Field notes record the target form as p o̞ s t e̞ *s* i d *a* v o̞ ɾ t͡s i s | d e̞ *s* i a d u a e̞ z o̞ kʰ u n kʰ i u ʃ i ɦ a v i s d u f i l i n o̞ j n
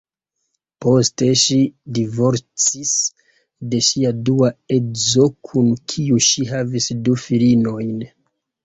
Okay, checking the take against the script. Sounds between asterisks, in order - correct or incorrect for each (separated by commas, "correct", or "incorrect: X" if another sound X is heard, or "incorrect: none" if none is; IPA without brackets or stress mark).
incorrect: ʃ, incorrect: i, incorrect: ʃ